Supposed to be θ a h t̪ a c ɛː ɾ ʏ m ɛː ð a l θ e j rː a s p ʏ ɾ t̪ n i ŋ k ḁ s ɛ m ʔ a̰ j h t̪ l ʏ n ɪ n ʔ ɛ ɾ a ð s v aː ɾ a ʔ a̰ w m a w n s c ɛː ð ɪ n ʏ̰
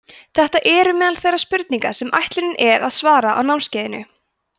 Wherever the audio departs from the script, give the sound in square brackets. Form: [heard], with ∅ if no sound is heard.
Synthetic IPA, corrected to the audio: θ [ɛ] h t̪ a [ʔ] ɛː ɾ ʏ m ɛː ð a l θ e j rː a s p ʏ ɾ t̪ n i ŋ k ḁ s ɛ m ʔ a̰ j h t̪ l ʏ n ɪ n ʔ ɛ ɾ a ð s v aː ɾ a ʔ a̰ w [n] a w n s c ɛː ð ɪ n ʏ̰